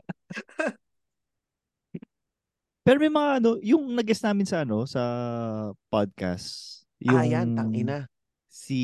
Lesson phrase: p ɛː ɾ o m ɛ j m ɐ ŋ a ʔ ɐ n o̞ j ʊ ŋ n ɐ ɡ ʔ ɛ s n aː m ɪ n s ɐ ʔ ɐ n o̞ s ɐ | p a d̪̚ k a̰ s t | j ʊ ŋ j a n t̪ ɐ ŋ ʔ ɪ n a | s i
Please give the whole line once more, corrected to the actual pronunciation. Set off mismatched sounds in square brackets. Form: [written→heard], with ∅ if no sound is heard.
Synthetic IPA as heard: p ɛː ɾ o m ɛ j m ɐ ŋ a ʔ ɐ n o̞ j ʊ ŋ n ɐ ɡ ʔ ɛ s n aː m ɪ n s ɐ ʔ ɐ n o̞ s ɐ | p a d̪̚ k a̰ s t | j ʊ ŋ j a n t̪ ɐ ŋ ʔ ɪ n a | s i